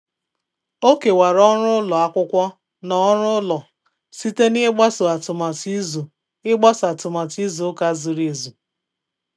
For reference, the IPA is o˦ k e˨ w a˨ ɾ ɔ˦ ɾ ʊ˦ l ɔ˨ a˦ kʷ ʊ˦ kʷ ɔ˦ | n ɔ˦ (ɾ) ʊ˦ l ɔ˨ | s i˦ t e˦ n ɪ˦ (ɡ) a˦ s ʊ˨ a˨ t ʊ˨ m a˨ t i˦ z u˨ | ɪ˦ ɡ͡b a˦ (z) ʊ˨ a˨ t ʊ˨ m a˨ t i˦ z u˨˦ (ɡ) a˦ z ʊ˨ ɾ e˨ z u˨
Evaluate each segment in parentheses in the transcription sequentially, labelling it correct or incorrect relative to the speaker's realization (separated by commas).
correct, incorrect, incorrect, incorrect